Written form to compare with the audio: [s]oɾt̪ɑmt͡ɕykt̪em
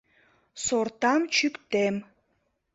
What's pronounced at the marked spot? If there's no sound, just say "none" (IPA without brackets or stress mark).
s